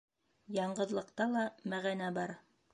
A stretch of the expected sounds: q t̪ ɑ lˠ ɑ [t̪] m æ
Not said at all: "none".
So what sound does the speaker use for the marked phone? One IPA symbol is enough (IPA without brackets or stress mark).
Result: none